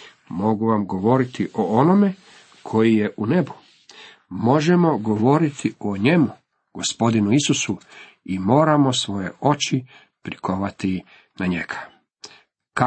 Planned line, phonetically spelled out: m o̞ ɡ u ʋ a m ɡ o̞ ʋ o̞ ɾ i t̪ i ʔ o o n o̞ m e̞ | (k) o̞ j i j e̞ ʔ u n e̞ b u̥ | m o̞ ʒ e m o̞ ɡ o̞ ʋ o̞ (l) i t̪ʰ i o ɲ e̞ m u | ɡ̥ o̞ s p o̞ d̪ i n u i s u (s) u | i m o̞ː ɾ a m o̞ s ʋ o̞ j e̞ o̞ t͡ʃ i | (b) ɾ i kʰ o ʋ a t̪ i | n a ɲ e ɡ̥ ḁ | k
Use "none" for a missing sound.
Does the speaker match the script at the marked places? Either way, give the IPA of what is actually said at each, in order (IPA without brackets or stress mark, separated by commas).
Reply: kʰ, ɾ, s, p